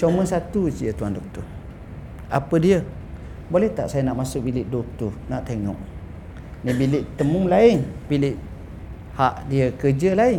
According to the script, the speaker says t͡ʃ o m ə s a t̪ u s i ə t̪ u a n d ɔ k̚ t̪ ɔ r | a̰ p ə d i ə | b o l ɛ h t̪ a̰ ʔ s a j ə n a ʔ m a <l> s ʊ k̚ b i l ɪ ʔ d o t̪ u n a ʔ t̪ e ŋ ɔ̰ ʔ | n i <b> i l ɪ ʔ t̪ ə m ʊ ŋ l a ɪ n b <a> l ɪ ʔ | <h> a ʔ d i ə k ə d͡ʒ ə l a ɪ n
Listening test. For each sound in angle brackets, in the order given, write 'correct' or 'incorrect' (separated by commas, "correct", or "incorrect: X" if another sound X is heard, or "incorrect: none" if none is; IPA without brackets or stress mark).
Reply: incorrect: none, correct, incorrect: i, correct